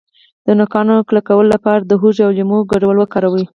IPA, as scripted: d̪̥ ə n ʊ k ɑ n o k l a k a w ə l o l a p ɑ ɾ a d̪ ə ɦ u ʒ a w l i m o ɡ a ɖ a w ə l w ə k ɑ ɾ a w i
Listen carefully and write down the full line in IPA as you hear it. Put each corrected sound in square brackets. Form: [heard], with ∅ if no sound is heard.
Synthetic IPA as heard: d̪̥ ə n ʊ k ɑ n o k l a k a w ə l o l a p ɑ ɾ a d̪ ə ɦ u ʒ a w l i m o ɡ a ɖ a w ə l w ə k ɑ ɾ a w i